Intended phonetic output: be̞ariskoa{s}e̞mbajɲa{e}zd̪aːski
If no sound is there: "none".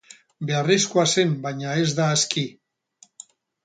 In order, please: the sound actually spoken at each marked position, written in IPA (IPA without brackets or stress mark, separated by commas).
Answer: s, e